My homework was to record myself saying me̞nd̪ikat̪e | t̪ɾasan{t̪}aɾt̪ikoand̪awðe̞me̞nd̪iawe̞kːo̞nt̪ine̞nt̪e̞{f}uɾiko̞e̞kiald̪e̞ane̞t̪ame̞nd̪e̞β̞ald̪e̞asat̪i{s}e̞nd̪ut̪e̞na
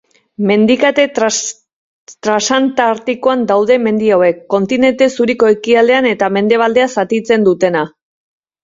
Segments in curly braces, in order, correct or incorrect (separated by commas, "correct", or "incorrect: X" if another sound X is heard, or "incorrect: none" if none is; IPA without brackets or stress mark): correct, incorrect: s, incorrect: t͡s